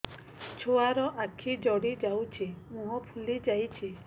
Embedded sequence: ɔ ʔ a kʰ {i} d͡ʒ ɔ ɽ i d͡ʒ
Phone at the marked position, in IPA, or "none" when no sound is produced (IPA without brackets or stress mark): i